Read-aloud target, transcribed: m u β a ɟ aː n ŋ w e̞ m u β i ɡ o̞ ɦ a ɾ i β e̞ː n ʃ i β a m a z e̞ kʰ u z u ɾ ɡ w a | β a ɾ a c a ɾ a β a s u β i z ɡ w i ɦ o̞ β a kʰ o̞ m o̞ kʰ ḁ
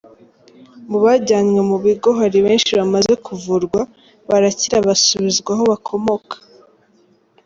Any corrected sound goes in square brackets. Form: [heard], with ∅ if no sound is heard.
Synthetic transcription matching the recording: m u β a ɟ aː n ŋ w e̞ m u β i ɡ o̞ ɦ a ɾ i β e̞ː n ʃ i β a m a z e̞ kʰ u [v] u ɾ ɡ w a | β a ɾ a c [i] ɾ a β a s u β i z ɡ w [a] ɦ o̞ β a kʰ o̞ m o̞ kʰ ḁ